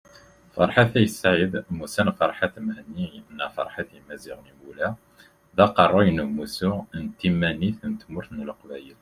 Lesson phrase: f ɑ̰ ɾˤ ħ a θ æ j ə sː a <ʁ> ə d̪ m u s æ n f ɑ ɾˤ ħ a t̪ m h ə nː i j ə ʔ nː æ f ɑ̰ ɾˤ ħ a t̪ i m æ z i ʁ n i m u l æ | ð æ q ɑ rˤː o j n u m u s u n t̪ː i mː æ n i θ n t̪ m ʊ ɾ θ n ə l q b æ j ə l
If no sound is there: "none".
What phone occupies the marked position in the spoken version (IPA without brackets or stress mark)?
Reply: ʕ